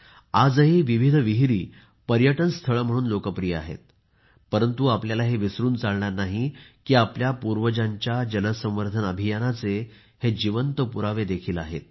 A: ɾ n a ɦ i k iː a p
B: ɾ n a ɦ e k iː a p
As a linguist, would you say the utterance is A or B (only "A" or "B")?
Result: A